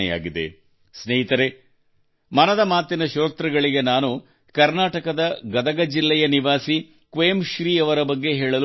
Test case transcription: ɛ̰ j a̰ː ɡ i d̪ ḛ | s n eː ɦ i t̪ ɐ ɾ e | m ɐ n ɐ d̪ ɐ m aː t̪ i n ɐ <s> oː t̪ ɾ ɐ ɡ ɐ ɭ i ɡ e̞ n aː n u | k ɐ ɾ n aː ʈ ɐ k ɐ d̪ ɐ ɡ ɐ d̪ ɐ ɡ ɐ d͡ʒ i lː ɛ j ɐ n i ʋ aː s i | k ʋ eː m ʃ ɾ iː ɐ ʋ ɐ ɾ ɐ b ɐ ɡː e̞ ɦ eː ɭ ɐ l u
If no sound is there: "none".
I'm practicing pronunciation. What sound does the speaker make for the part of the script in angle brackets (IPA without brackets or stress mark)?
ʃ